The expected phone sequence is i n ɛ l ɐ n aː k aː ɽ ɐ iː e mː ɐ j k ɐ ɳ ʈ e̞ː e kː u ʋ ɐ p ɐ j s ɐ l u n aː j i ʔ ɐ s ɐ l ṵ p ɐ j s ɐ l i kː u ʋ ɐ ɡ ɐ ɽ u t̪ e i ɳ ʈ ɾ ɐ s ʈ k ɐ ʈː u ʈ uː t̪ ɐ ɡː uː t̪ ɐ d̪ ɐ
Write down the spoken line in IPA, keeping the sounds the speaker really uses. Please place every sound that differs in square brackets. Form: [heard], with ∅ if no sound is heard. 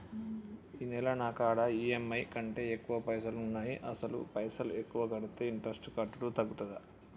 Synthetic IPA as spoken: i n ɛ l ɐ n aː k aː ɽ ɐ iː e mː ɐ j k ɐ ɳ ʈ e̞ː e kː u ʋ ɐ p ɐ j s ɐ l u [nː] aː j i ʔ ɐ s ɐ l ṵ p ɐ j s ɐ l [e] kː u ʋ ɐ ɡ ɐ ɽ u t̪ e i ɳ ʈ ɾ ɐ s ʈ k ɐ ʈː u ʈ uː t̪ ɐ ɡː [u] t̪ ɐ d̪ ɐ